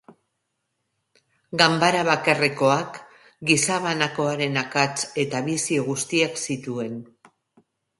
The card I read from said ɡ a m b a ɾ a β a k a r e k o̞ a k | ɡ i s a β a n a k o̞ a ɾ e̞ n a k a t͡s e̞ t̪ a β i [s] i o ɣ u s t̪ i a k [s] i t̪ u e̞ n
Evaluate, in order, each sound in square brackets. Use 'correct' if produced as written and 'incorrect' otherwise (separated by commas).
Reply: correct, correct